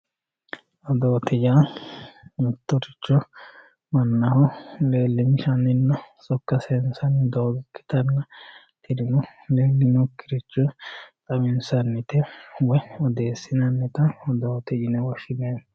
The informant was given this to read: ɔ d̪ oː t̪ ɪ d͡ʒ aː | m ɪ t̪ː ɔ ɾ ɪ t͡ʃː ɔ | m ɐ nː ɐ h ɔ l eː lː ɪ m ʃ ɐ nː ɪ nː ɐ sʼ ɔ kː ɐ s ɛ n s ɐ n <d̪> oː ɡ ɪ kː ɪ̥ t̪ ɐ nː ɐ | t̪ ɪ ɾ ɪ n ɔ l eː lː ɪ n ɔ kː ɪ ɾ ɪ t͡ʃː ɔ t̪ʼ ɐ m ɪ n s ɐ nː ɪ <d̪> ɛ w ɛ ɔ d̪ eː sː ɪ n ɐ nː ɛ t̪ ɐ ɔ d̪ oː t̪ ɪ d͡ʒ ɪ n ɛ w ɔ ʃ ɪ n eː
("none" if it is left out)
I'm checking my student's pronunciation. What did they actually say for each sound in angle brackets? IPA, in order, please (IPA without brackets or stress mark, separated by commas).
d̪, t̪